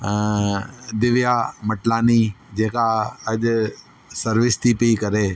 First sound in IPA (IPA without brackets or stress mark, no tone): d̪